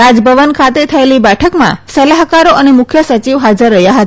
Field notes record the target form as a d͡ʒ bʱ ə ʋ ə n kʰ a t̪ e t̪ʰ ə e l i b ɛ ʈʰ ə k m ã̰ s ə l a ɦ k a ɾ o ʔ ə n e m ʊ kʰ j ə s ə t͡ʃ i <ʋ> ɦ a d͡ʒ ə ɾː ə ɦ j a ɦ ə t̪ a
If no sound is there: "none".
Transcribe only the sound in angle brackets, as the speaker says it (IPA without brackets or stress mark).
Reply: ʋ